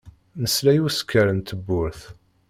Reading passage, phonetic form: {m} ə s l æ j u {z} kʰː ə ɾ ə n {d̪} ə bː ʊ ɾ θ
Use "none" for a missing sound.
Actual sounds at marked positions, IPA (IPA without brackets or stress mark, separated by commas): n, s, t̪